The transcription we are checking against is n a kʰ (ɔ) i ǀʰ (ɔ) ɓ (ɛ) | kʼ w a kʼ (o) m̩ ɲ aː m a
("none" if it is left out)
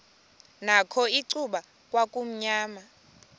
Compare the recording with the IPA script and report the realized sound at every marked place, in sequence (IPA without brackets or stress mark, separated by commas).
ɔ, u, a, u